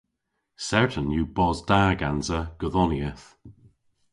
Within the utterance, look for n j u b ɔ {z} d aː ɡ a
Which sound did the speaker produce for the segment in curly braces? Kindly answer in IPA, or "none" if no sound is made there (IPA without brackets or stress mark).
z